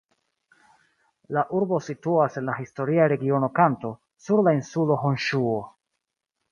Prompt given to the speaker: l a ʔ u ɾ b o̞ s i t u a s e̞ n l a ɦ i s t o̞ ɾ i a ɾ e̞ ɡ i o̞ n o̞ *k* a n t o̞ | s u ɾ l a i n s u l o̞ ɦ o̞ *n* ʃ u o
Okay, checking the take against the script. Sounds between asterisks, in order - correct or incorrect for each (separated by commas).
correct, correct